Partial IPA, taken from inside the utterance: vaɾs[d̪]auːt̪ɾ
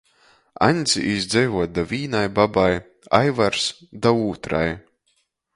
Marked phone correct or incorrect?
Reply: correct